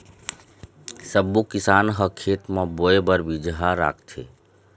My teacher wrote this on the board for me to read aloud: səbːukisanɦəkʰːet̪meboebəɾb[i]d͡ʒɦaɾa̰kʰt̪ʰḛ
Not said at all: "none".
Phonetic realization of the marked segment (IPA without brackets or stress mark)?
i